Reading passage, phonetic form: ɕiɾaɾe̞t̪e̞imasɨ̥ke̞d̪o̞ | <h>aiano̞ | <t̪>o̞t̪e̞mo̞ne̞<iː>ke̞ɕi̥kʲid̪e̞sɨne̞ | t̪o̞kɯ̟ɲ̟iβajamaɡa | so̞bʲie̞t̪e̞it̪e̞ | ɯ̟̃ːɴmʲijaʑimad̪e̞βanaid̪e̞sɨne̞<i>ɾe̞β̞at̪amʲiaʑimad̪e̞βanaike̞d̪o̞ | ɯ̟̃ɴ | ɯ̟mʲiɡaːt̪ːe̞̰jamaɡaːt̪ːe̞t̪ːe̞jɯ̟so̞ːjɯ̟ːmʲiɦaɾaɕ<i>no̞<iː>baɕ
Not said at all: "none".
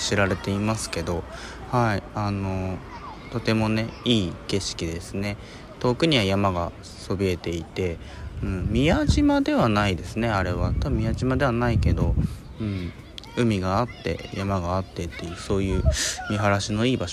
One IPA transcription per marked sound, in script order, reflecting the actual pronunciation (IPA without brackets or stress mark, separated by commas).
h, t̪, iː, a, i, iː